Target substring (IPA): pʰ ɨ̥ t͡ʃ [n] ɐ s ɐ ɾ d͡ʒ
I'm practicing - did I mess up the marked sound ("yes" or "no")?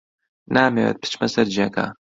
yes